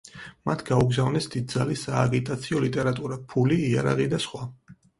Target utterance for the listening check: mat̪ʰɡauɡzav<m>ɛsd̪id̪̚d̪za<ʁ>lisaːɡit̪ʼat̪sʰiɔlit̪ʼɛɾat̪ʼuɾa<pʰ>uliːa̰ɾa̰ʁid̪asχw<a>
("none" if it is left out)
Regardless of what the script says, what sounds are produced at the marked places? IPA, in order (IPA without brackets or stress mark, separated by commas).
n, none, pʰ, a